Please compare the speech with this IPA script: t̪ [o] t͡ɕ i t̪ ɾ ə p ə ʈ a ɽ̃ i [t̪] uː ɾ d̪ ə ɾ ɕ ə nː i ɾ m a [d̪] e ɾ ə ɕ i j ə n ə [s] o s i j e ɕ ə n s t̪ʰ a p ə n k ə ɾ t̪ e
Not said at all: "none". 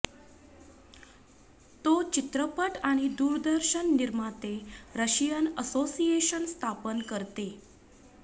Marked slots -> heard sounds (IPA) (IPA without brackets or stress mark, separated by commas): o, d̪, t̪, s